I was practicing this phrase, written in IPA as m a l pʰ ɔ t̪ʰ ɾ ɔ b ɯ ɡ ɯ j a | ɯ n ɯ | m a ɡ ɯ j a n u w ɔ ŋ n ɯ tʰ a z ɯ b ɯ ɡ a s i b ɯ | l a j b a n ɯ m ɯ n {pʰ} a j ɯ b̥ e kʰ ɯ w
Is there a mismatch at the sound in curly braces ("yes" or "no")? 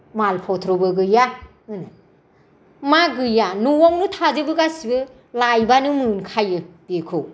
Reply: yes